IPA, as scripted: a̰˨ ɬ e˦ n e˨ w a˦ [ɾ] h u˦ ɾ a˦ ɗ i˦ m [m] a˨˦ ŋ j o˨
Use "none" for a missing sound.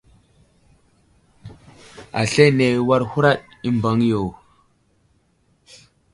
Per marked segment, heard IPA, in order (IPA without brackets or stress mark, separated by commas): ɾ, b